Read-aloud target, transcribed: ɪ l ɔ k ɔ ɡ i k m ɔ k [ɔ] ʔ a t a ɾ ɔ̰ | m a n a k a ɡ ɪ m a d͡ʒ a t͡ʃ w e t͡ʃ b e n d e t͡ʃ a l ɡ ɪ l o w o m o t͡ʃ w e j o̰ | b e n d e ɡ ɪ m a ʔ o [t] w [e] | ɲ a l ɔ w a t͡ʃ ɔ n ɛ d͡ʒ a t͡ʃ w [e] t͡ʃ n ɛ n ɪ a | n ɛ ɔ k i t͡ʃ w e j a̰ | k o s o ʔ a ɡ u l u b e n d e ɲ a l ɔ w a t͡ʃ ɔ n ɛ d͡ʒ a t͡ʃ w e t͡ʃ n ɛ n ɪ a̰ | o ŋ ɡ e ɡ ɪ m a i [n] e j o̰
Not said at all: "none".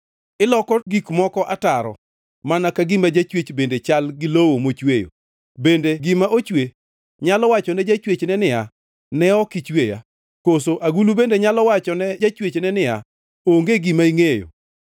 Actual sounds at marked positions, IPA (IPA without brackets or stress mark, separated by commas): ɔ, t͡ʃ, e, e, ŋ